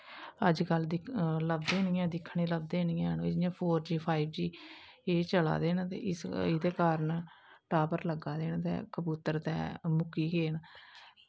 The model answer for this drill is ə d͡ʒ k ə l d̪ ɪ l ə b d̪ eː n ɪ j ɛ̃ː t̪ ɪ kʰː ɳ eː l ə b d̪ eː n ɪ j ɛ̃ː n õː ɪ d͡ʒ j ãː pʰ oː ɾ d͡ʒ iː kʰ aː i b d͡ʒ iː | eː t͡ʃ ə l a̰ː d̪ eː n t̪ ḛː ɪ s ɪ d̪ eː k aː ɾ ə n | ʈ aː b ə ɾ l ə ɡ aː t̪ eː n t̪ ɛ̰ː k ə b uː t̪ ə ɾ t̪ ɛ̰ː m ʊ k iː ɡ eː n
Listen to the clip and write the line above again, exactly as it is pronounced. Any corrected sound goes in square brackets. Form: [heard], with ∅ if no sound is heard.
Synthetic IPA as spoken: ə d͡ʒ k ə l d̪ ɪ l ə b d̪ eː n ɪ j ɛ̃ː [d̪] ɪ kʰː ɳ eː l ə b d̪ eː n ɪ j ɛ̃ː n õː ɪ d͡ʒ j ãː pʰ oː ɾ d͡ʒ iː [pʰ] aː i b d͡ʒ iː | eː t͡ʃ ə l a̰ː d̪ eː n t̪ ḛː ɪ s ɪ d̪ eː k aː ɾ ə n | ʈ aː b ə ɾ l ə ɡ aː [d̪] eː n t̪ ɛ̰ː k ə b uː t̪ ə ɾ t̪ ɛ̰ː m ʊ k iː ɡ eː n

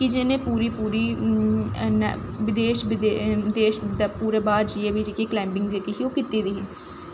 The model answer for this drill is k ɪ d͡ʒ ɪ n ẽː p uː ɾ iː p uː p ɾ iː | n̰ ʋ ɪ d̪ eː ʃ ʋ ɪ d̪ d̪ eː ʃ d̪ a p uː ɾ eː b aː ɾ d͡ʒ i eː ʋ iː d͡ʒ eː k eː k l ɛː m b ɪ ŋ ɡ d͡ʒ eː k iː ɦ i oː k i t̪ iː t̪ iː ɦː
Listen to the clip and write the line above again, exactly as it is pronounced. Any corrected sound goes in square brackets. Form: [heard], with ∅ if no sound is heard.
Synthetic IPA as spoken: k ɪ d͡ʒ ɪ n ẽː p uː ɾ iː p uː [∅] ɾ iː | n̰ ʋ ɪ d̪ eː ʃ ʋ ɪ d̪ d̪ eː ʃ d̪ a p uː ɾ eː b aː ɾ d͡ʒ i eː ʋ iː d͡ʒ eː k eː k l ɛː m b ɪ ŋ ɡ d͡ʒ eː k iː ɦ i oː k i t̪ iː [d̪] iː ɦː

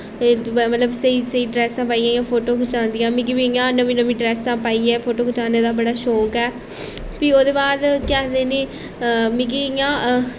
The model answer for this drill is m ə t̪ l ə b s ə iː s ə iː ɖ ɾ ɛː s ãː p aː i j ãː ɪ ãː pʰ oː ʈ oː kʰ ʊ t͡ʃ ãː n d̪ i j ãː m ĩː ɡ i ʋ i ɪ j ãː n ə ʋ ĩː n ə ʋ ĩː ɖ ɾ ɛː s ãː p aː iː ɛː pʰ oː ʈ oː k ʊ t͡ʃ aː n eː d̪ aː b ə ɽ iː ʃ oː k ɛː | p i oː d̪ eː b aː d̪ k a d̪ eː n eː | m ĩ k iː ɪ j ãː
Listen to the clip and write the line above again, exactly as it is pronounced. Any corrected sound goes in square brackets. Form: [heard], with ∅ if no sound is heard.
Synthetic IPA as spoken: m ə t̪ l ə b s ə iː s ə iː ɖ ɾ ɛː s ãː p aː i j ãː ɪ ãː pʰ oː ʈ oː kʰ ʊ t͡ʃ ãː n d̪ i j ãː m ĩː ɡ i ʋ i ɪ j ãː n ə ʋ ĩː n ə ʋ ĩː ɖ ɾ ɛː s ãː p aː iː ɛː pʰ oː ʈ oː k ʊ t͡ʃ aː n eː d̪ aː b ə ɽ [aː] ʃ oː k ɛː | p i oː d̪ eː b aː d̪ k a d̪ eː n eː | m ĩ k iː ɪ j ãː

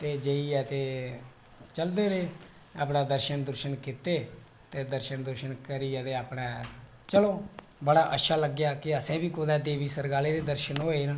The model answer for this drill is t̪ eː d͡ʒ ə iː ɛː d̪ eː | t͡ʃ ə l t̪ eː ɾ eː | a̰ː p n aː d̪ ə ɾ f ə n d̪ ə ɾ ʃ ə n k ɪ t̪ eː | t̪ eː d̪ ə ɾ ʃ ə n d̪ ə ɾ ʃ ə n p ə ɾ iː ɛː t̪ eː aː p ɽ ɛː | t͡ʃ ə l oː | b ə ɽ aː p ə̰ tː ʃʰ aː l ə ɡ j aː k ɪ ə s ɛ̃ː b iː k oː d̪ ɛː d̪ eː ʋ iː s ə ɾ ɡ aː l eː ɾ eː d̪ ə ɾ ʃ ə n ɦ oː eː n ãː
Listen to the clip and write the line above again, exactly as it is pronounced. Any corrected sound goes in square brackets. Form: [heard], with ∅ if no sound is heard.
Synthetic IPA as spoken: t̪ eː d͡ʒ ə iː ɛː [t̪] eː | t͡ʃ ə l [d̪] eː ɾ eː | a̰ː p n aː d̪ ə ɾ [ʃ] ə n d̪ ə ɾ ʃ ə n k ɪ t̪ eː | t̪ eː d̪ ə ɾ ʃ ə n d̪ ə ɾ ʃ ə n [k] ə ɾ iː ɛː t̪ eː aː p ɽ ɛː | t͡ʃ ə l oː | b ə ɽ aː [ʔ] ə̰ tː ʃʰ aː l ə ɡ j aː k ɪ ə s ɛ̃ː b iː k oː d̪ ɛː d̪ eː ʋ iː s ə ɾ ɡ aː l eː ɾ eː d̪ ə ɾ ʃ ə n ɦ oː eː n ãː

